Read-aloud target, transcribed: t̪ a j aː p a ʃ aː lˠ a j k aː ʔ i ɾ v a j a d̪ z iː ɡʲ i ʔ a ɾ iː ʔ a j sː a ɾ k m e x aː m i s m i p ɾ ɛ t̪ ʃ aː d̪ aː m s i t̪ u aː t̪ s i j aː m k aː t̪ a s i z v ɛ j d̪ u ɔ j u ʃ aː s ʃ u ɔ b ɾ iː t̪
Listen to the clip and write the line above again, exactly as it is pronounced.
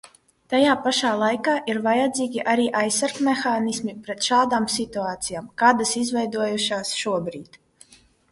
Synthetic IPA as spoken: t̪ a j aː p a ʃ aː lˠ a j k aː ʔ i ɾ v a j a d̪ z iː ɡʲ i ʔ a ɾ iː ʔ a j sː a ɾ k m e x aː n i s m i p ɾ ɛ t̪ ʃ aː d̪ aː m s i t̪ u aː t̪ s i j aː m k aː d̪ a s i z v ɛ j d̪ u ɔ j u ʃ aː s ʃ u ɔ b ɾ iː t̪